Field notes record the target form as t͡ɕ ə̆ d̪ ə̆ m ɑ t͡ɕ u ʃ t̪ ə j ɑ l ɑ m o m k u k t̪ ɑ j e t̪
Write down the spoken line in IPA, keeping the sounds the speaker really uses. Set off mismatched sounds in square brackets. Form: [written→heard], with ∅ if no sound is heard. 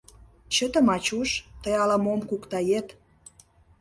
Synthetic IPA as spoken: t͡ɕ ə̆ [d̪→t̪] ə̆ m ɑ t͡ɕ u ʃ t̪ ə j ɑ l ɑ m o m k u k t̪ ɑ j e t̪